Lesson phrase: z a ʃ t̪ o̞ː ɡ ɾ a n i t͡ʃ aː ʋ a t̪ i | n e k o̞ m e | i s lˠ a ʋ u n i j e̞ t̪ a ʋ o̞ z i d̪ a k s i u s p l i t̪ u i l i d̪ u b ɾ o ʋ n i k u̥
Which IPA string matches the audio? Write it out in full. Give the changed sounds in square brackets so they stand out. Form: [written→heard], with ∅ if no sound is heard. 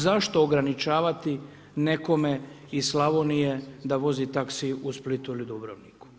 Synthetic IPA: z a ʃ t̪ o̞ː ɡ ɾ a n i t͡ʃ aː ʋ a t̪ i | n e k o̞ m e | i s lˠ a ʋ [u→o] n i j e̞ [t̪→d̪] a ʋ o̞ z i [d̪→t̪] a k s i u s p l i t̪ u i l i d̪ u b ɾ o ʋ n i k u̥